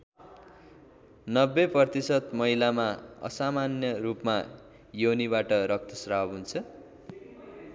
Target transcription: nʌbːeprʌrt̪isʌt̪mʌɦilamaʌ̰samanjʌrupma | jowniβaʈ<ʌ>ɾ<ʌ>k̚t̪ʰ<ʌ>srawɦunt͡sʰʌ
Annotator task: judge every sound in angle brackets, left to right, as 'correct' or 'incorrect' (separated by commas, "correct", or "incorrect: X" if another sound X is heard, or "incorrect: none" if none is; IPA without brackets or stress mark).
correct, correct, correct